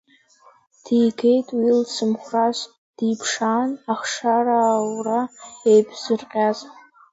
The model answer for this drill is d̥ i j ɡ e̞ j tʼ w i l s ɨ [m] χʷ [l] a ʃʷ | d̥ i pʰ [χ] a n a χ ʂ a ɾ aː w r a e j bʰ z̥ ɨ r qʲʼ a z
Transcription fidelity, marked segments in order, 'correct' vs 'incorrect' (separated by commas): correct, incorrect, incorrect